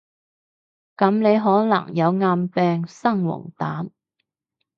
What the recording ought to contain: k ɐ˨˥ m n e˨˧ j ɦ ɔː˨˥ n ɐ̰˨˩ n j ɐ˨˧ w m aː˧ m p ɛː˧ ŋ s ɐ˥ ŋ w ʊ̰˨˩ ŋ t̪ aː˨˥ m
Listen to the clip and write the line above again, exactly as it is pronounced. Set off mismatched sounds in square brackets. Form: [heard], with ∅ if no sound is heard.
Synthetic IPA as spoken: k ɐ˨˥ m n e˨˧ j ɦ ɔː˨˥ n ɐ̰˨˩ [ŋ] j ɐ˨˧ w [ŋ] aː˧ m p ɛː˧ ŋ s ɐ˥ ŋ w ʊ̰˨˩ ŋ t̪ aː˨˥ m